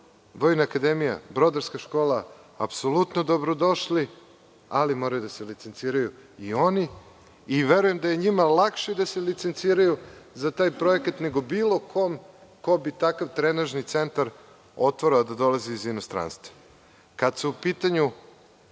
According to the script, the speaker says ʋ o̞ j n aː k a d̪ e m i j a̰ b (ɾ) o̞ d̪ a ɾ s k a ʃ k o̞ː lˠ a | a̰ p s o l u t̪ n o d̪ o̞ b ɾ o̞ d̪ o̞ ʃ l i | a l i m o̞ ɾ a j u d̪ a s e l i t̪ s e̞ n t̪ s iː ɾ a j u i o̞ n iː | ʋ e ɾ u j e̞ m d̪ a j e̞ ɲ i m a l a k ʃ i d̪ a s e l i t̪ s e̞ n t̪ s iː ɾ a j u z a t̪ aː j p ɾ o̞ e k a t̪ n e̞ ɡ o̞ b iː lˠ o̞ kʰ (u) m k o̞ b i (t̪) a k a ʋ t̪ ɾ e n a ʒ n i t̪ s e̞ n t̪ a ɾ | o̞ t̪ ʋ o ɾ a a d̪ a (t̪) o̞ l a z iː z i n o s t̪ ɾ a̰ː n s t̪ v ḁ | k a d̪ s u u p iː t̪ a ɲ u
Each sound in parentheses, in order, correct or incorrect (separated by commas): correct, incorrect, correct, incorrect